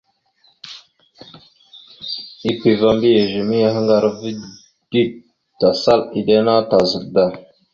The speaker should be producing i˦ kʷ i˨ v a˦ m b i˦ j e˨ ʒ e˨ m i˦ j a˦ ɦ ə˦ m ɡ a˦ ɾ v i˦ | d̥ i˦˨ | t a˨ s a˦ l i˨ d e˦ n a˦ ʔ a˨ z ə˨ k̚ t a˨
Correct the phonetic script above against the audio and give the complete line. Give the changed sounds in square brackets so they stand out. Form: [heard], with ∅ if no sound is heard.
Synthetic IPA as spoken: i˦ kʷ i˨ v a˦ m b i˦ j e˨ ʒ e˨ m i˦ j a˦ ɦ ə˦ [ŋ] ɡ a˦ ɾ v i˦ | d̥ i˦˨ | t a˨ s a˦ l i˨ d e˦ n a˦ [t] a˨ z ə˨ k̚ [d] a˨